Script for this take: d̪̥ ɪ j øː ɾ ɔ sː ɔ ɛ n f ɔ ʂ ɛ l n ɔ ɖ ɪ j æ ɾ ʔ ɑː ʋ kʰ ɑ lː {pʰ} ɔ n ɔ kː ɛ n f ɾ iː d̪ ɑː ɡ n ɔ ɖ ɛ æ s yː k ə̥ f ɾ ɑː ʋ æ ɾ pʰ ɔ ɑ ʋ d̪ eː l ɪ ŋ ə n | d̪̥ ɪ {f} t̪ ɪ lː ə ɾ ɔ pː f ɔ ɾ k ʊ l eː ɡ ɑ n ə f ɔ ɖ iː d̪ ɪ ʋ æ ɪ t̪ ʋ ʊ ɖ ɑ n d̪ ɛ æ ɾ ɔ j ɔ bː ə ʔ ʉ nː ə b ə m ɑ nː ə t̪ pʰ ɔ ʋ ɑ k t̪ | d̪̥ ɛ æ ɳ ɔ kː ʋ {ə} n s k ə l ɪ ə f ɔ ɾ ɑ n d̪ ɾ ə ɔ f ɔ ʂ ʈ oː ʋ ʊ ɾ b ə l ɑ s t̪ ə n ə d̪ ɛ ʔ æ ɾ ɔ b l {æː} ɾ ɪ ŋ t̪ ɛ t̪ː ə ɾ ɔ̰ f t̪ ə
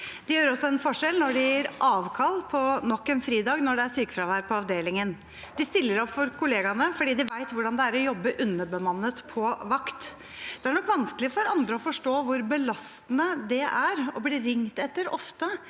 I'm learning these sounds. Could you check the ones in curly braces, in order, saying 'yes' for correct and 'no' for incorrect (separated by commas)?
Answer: yes, no, no, no